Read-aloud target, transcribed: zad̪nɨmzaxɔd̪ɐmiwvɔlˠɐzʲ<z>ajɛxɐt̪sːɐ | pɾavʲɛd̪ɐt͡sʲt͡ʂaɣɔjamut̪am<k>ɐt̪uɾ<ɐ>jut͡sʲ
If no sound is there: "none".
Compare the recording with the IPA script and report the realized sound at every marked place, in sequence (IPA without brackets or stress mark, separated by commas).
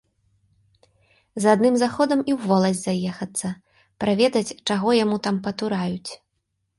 z, p, a